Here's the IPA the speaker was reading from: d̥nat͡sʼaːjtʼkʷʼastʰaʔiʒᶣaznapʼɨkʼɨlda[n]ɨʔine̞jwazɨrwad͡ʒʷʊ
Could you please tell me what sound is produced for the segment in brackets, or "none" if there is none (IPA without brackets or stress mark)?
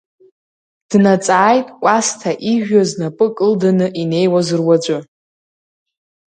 n